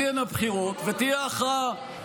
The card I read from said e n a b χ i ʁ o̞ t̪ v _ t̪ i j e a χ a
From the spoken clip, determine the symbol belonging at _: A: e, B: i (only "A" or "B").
A